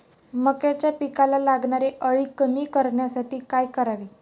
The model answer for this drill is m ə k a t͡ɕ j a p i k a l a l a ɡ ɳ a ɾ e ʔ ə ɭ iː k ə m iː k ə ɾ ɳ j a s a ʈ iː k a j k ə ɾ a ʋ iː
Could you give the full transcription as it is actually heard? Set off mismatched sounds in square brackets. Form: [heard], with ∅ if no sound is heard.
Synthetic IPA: m ə k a t͡ɕ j a p i k a l a l a ɡ ɳ a ɾ e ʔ ə ɭ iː k ə m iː k ə ɾ ɳ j a s a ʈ iː k a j k ə ɾ a ʋ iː